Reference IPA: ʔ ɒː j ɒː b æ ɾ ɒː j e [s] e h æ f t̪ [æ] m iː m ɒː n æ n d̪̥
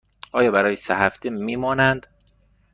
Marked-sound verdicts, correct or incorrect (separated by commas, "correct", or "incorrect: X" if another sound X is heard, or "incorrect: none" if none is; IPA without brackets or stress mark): correct, incorrect: e